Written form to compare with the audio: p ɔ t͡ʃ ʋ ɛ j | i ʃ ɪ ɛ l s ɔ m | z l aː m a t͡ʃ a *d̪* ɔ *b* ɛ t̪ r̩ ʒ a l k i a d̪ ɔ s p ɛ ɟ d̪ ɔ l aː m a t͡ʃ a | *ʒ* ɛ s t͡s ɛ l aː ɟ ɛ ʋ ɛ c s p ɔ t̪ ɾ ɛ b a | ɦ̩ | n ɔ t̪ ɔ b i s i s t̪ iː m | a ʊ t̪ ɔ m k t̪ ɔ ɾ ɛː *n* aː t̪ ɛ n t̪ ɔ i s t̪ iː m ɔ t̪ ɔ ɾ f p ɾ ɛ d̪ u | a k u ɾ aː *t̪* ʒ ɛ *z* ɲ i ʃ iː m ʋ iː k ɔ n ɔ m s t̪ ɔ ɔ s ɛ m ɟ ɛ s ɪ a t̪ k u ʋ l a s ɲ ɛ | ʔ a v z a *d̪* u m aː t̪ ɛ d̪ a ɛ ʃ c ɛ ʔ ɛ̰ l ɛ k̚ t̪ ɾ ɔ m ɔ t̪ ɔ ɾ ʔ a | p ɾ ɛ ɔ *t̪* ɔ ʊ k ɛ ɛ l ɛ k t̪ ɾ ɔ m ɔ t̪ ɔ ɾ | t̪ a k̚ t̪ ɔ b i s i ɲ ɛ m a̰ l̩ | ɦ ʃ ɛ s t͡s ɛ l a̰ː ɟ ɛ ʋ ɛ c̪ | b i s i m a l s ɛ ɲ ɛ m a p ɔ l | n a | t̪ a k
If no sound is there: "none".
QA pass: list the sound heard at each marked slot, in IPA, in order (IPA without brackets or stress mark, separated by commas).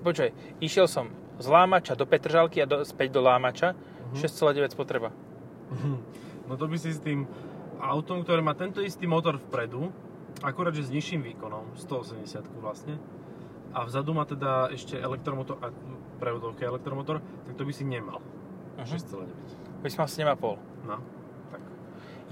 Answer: d̪, p, ʃ, m, d̪, z, d̪, d̪